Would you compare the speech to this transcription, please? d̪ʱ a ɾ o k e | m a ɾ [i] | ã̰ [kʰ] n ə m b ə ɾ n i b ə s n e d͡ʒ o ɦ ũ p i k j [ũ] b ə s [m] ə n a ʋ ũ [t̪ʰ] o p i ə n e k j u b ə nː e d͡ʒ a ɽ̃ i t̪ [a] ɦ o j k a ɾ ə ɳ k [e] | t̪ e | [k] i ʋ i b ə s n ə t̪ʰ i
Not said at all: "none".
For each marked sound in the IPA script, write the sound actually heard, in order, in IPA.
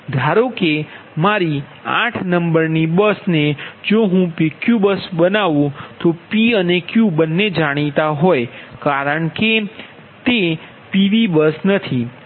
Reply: i, ʈʰ, u, b, t̪, a, e, p

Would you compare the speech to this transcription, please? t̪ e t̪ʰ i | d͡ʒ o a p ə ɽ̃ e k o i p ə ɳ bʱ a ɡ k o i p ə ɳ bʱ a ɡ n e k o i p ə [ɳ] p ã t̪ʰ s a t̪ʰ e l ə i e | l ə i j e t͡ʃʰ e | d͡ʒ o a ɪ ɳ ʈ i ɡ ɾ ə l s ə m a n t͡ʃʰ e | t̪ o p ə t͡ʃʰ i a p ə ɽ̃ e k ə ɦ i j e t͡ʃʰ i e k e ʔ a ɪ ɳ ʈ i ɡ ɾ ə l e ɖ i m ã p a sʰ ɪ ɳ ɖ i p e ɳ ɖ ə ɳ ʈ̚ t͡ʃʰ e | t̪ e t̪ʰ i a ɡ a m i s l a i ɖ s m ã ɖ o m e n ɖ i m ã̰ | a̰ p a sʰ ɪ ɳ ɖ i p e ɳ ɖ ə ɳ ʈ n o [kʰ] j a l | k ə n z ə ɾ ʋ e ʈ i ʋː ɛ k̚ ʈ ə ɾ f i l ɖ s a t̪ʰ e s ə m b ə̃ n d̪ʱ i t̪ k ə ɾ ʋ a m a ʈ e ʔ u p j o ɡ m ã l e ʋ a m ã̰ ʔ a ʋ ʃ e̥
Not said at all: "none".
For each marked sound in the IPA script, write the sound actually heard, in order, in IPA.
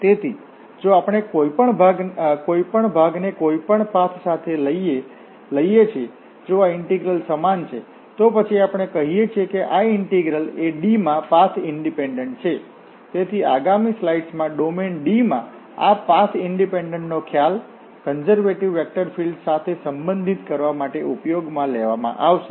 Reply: ɳ, kʰ

